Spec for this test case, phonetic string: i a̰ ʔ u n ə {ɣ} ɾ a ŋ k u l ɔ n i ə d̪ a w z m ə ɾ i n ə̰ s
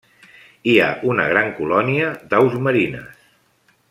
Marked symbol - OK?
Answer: yes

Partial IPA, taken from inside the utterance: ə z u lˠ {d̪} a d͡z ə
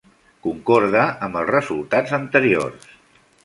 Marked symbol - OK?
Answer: no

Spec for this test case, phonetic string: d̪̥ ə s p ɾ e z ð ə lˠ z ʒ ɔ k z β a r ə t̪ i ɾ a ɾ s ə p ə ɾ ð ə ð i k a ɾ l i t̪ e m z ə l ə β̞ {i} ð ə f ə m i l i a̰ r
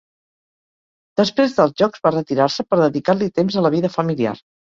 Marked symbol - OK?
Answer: yes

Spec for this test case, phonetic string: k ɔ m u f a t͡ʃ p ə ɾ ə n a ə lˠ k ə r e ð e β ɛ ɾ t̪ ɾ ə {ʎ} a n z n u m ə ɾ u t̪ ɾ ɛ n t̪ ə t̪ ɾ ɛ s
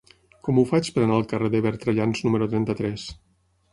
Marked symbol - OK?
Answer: yes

